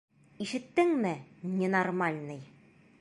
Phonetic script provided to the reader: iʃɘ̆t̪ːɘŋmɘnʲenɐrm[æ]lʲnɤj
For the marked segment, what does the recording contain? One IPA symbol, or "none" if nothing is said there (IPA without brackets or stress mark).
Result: a